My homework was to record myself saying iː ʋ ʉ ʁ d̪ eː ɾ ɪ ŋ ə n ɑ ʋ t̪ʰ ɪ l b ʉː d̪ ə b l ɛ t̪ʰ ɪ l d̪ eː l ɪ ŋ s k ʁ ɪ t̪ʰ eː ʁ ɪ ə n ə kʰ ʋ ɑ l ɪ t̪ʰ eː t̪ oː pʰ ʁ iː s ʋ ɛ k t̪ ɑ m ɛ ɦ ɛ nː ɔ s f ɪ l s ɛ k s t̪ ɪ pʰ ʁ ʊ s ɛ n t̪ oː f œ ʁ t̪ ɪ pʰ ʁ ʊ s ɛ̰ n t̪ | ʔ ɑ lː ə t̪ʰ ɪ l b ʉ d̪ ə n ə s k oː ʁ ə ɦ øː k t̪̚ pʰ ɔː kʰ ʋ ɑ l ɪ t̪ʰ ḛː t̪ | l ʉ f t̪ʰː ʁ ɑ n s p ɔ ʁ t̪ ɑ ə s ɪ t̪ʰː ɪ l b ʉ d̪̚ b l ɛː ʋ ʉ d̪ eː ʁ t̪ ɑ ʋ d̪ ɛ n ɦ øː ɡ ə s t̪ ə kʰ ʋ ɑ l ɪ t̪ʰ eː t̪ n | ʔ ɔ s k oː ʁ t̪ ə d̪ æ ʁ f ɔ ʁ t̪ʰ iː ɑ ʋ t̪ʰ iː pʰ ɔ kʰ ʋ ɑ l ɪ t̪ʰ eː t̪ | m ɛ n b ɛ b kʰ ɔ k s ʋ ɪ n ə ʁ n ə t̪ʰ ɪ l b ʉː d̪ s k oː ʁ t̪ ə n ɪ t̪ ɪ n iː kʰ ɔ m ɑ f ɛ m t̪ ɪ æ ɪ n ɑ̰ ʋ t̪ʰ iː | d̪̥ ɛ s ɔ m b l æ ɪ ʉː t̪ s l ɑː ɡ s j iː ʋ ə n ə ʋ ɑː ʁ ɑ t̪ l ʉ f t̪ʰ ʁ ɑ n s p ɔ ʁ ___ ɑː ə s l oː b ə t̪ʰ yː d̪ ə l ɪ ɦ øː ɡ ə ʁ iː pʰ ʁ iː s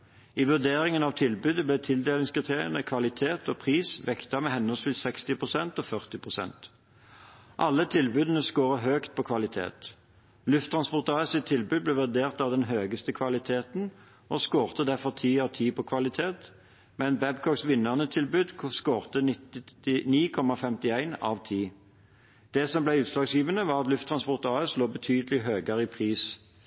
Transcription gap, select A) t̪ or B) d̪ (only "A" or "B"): A